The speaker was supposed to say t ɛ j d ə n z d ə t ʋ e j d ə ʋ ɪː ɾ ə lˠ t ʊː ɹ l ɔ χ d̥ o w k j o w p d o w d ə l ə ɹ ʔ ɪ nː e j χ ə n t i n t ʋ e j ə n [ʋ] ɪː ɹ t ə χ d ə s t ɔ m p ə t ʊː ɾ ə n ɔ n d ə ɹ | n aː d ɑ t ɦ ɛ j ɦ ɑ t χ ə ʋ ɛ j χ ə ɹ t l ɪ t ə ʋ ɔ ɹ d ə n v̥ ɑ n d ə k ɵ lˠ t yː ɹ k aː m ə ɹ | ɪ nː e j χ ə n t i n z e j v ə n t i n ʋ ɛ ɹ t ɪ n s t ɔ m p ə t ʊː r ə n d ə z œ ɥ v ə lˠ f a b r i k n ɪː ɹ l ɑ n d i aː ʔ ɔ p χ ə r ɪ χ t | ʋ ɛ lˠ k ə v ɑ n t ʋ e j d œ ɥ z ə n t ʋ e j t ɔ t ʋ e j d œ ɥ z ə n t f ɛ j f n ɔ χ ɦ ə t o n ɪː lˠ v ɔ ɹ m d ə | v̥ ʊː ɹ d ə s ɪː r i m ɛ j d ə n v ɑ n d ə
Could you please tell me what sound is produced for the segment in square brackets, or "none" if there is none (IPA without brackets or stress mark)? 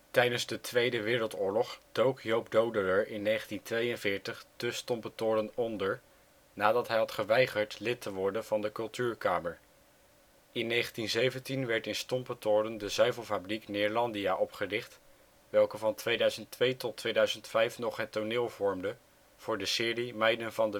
v